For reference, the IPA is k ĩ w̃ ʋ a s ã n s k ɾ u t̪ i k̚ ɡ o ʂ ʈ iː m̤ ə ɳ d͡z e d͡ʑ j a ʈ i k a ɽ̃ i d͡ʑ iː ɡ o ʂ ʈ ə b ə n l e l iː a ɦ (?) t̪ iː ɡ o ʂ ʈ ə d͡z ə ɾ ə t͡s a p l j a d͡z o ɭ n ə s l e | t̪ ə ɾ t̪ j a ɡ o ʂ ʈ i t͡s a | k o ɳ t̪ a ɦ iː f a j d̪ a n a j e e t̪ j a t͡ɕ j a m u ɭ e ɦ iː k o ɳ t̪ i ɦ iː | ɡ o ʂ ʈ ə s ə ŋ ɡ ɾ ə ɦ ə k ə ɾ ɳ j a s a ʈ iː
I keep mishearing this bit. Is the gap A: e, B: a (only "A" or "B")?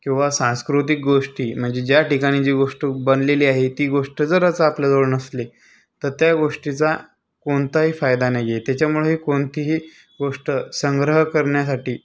A